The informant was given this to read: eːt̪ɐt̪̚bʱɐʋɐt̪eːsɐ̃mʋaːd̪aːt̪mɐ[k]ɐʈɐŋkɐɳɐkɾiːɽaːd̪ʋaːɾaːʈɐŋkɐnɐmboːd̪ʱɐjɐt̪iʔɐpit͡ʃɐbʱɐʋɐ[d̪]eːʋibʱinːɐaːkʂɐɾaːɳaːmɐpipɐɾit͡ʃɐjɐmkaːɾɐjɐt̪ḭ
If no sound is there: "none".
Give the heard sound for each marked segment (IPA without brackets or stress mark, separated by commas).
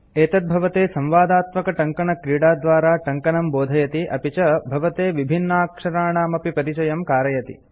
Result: k, t̪